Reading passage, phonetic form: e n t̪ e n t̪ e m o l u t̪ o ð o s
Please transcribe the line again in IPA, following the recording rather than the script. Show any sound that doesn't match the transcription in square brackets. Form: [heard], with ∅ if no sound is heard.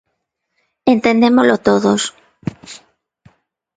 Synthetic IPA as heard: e n t̪ e n [d̪] e m o l [o] t̪ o ð o s